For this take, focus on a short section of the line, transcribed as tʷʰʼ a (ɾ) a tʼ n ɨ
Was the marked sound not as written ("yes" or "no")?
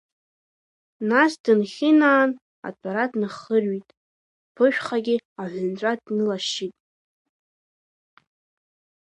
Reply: no